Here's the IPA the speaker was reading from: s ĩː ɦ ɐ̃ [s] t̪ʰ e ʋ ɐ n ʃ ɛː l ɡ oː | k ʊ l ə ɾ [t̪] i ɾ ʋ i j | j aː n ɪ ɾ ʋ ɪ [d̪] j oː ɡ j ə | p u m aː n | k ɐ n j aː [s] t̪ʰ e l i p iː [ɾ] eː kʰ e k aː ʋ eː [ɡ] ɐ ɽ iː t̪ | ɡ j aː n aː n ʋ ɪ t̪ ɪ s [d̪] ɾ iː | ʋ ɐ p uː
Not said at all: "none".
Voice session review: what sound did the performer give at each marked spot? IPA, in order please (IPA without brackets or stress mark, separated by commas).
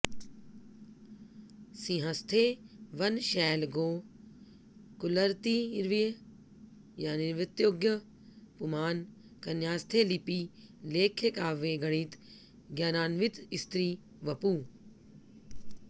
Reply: s, t̪, t̪, s, l, ɡ, t̪